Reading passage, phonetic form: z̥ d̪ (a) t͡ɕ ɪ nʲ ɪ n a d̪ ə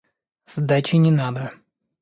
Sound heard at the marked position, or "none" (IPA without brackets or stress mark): a